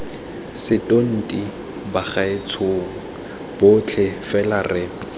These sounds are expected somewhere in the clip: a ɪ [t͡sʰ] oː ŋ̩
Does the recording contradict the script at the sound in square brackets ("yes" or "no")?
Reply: no